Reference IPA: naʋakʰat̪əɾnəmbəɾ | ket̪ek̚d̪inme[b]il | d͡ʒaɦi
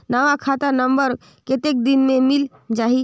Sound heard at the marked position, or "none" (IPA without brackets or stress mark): m